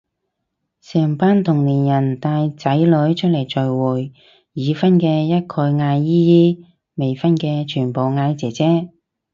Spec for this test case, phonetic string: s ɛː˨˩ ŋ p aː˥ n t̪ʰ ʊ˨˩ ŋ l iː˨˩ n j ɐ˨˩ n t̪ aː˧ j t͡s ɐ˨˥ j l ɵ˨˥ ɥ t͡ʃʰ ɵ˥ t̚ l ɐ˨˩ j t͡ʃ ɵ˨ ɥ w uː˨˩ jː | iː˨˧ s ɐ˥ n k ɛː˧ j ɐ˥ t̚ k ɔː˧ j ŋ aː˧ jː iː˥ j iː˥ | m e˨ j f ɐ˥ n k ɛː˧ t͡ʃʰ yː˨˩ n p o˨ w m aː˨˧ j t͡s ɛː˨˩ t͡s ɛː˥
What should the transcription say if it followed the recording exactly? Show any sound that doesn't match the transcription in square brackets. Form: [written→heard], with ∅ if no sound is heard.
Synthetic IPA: s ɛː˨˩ ŋ p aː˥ n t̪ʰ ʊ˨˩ ŋ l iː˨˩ n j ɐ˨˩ n t̪ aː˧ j t͡s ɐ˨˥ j l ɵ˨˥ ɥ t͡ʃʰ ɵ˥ t̚ l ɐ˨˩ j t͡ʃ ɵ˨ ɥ w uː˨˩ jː | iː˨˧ [s→f] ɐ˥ n k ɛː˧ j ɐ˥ t̚ [k→kʰ] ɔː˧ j ŋ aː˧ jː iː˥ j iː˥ | m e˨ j f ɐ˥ n k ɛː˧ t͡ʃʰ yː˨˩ n p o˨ w [m→ŋ] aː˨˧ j t͡s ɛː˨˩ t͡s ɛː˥